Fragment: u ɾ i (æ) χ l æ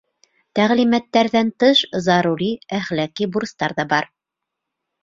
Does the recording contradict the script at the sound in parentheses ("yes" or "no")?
no